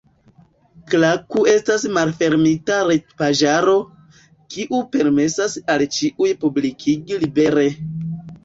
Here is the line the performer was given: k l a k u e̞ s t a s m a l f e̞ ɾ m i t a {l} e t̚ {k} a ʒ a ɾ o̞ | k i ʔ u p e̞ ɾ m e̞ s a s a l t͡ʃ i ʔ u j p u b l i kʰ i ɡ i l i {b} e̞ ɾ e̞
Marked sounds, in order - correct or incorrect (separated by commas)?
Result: incorrect, incorrect, correct